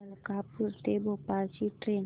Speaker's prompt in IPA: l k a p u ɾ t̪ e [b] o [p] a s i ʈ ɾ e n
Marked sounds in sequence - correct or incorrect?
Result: correct, correct

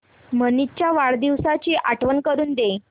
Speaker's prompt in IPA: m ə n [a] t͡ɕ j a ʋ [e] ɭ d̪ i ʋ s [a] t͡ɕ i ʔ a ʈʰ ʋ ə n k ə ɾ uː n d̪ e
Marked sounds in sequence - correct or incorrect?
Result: incorrect: i, incorrect: a, correct

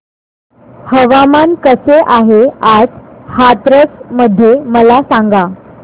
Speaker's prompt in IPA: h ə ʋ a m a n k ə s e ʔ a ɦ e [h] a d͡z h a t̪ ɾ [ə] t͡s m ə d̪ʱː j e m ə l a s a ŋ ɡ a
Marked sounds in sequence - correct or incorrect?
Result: incorrect: none, correct

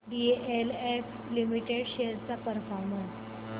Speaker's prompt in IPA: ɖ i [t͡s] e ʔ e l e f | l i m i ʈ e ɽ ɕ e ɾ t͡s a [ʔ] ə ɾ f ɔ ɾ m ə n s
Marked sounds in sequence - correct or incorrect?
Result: incorrect: none, incorrect: p

